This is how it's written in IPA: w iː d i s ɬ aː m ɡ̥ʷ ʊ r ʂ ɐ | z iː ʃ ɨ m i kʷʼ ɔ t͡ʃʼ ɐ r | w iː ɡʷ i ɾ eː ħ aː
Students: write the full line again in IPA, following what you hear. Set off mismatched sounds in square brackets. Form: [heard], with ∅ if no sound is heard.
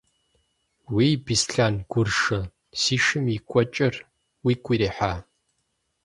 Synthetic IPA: w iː [b] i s ɬ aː [n] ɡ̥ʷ ʊ r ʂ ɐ | [s] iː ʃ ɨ m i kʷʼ ɔ t͡ʃʼ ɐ r | w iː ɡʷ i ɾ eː ħ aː